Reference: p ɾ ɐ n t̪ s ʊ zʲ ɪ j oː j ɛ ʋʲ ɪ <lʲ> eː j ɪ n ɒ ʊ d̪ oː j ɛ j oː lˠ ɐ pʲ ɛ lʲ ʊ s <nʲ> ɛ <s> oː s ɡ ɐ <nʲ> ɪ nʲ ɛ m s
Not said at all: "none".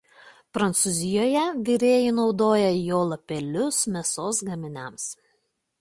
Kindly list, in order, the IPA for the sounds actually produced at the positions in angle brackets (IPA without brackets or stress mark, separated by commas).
ɾʲ, mʲ, s, mʲ